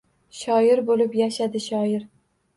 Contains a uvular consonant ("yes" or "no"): no